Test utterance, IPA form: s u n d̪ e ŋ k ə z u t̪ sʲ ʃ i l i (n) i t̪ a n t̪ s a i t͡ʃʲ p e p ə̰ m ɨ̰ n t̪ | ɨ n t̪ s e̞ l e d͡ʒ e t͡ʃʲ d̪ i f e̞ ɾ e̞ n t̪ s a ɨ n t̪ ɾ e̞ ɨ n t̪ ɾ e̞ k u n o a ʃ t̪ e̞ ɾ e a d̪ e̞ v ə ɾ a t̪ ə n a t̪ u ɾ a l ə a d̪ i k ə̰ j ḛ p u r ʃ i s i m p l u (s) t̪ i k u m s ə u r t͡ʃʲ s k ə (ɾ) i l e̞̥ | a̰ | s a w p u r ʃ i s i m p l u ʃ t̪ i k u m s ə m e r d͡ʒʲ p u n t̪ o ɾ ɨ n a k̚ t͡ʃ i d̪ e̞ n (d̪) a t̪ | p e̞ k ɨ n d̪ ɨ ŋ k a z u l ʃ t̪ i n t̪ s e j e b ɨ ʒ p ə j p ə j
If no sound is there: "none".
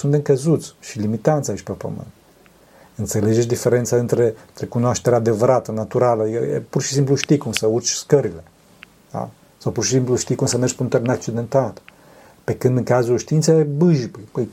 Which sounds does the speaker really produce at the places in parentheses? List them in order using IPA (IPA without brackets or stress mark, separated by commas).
m, ʃ, ɾ, t̪